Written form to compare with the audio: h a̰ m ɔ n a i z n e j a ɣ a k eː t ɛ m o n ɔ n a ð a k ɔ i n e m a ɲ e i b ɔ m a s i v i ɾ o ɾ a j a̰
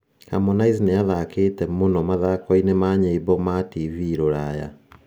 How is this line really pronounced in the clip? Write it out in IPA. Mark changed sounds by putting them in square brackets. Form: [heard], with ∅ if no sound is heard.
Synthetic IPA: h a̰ m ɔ n a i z n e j a [ð] a k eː t ɛ m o n ɔ [m] a ð a k ɔ i n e m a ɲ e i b ɔ m a [t] i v i ɾ o ɾ a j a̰

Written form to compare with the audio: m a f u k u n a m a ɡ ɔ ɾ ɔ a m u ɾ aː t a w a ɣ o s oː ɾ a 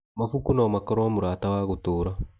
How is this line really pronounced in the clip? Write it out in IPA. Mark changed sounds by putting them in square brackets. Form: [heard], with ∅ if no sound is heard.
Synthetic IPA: m a f u k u n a m a [k] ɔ ɾ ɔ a m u ɾ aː t a w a ɣ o [t] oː ɾ a

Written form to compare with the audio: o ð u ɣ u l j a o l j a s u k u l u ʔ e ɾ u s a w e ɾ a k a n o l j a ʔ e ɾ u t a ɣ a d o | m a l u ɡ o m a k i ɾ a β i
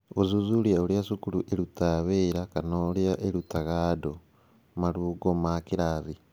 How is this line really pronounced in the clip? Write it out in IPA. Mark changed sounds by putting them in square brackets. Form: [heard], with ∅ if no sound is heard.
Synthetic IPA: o [z] u [z] u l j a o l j a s u k u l u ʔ e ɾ u [t] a [β] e ɾ a k a n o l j a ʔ e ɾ u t a ɣ a d o | m a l u ɡ o m a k i ɾ a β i

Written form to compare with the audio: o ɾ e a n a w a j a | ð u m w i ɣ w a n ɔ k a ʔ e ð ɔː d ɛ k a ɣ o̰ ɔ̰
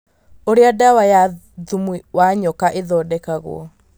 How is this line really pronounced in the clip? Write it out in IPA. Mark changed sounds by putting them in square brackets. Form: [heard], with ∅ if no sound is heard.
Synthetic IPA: o ɾ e a [d] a w a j a | ð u m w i [∅] w a [ɲ] ɔ k a ʔ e ð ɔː d ɛ k a ɣ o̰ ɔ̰

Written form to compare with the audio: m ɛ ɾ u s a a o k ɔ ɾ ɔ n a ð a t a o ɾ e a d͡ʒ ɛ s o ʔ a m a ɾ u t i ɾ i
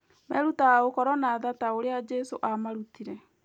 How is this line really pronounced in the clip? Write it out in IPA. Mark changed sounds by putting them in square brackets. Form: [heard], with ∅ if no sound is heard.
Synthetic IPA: m ɛ ɾ u [t] a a o k ɔ ɾ ɔ n a ð a t a o ɾ e a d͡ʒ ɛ s o ʔ a m a ɾ u t i ɾ [ɛ]

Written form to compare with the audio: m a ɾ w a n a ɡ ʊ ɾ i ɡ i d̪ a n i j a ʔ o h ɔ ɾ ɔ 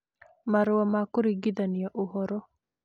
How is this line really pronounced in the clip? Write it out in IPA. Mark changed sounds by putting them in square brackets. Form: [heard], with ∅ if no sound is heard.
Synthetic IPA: m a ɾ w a [m] a [k] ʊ ɾ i ɡ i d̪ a n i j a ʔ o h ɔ ɾ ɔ

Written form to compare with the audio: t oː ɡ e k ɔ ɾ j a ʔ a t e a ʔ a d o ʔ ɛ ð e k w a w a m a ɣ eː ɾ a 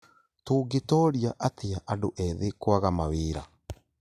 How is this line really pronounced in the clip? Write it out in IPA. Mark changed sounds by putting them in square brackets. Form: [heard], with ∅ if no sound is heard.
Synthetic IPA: t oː ɡ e [t] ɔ ɾ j a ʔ a t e a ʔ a d o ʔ ɛ ð e k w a [ɣ] a m a [w] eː ɾ a

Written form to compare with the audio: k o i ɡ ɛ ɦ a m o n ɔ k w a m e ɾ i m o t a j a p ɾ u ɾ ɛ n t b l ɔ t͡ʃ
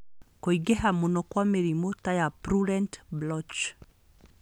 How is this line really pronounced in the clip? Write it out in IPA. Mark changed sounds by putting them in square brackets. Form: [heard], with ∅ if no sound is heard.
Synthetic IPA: k o i ɡ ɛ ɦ a m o n ɔ k w a m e ɾ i m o t a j a p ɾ u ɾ ɛ n t b l ɔ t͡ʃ

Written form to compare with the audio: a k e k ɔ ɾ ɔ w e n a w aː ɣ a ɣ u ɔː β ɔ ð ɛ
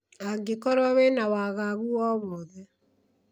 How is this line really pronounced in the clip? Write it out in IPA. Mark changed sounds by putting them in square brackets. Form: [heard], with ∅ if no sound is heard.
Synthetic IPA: a [ɡ] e k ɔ ɾ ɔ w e n a w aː ɣ a ɣ u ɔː β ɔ ð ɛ

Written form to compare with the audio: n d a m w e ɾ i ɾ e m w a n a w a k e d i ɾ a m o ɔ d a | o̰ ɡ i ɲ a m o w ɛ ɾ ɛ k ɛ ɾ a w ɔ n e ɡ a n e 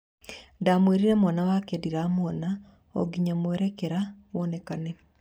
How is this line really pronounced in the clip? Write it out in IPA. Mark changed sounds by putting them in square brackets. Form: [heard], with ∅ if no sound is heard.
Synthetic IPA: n d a m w e ɾ i ɾ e m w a n a w a k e d i ɾ a m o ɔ [n] a | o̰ ɡ i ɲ a m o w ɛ ɾ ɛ k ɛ ɾ a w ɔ n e [k] a n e

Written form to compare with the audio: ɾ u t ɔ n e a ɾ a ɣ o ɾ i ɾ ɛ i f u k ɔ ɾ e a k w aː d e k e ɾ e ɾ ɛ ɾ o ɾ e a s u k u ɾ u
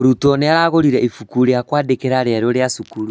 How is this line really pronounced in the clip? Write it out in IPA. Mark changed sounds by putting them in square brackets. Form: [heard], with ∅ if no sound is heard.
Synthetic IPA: ɾ u t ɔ n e a ɾ a ɣ o ɾ i ɾ ɛ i f u k [u] ɾ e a k w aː d e k e ɾ [a] ɾ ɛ ɾ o ɾ e a s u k u ɾ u

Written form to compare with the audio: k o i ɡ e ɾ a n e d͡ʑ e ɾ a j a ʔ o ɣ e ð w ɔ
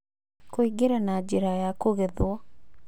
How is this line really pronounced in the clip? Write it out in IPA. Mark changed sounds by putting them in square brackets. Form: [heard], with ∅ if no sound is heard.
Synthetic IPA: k o i ɡ e ɾ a n [a] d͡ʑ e ɾ a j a [k] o ɣ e ð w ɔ

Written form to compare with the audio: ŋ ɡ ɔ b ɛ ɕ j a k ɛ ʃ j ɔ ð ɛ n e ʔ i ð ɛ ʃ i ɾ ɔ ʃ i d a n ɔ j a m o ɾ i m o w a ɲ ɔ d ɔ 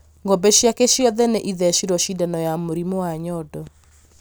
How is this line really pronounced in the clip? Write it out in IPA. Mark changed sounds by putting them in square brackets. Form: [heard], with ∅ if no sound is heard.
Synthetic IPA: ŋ ɡ ɔ b ɛ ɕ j a k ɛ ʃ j ɔ ð ɛ n e ʔ i ð ɛ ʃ i ɾ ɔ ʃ i d a n ɔ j a m o ɾ i m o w a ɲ ɔ d ɔ

